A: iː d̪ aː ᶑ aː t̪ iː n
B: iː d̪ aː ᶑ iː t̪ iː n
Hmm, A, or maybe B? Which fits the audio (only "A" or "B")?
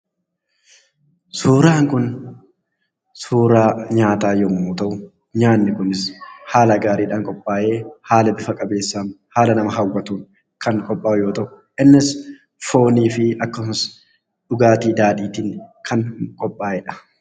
B